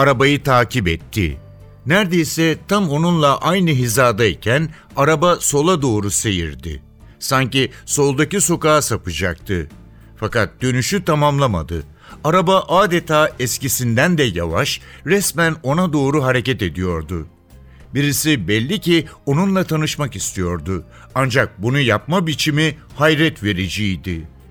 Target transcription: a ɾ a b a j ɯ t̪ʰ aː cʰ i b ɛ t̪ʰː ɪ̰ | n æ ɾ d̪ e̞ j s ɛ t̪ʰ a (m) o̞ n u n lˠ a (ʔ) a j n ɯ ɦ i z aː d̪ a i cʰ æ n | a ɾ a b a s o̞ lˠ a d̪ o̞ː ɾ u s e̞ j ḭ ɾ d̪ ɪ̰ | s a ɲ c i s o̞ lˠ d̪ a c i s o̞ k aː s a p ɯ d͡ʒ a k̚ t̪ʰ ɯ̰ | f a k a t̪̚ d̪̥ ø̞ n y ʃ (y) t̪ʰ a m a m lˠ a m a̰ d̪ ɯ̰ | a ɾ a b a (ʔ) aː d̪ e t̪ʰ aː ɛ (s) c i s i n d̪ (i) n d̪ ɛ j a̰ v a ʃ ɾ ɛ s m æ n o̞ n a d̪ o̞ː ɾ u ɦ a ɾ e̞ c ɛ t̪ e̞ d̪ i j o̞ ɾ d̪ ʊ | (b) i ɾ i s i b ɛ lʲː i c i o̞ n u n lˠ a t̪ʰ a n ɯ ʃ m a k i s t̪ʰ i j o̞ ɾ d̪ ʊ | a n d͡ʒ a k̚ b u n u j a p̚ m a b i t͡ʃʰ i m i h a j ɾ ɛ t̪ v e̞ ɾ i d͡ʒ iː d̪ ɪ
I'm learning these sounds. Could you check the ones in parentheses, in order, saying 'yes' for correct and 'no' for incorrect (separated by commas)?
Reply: yes, yes, yes, yes, yes, no, yes